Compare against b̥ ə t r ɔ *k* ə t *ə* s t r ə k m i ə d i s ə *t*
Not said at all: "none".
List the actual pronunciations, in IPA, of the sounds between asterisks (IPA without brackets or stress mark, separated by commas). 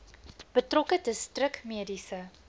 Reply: k, ə, none